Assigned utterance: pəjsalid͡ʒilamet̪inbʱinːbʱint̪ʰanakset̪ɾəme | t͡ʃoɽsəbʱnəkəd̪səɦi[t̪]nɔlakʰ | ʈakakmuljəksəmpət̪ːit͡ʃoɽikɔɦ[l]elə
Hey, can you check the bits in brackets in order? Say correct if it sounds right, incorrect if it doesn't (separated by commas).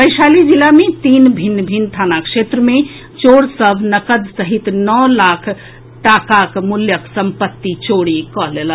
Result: correct, correct